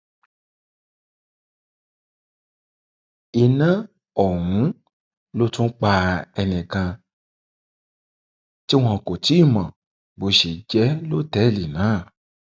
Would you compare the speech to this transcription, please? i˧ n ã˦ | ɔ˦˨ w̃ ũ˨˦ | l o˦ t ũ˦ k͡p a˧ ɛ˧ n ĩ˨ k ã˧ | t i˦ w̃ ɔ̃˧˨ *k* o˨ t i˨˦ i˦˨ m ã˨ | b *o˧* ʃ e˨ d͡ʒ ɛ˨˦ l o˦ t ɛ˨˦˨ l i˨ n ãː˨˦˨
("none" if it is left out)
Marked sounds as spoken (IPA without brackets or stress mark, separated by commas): k, o˧